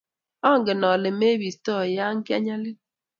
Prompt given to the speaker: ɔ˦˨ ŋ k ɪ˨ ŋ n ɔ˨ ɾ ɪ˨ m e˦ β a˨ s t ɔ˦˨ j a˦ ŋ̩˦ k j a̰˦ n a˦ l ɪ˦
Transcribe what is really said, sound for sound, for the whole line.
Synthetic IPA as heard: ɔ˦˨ ŋ ɡ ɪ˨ n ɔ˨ l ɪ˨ m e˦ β i˨ s t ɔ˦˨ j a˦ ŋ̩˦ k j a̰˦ ɲ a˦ l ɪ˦